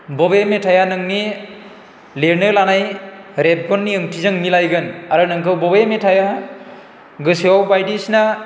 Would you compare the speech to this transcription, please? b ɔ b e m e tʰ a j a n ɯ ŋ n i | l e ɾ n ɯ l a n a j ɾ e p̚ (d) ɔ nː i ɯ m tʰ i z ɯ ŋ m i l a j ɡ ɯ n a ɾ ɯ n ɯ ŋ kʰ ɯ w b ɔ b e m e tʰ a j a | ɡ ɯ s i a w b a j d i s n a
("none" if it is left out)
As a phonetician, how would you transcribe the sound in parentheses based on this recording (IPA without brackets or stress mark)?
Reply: ɡ